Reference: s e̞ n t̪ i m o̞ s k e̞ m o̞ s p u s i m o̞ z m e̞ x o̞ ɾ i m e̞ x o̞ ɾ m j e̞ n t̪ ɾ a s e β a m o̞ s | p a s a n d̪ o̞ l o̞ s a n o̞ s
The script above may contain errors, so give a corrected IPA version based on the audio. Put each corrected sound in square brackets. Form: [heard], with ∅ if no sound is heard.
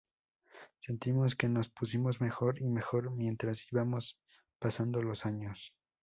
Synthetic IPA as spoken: s e̞ n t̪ i m o̞ s k e̞ [n] o̞ s p u s i m o̞ z m e̞ x o̞ ɾ i m e̞ x o̞ ɾ m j e̞ n t̪ ɾ a s [i] β a m o̞ s | p a s a n d̪ o̞ l o̞ s a [ɲ] o̞ s